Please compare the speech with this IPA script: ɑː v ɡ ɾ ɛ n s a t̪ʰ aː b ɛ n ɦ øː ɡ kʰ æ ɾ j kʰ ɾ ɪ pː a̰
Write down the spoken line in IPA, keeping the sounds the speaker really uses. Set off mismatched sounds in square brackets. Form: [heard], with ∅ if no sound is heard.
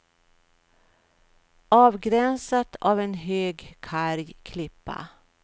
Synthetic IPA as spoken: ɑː v ɡ ɾ ɛ n s a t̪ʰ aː [v] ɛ n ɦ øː ɡ kʰ [a] ɾ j kʰ [l] ɪ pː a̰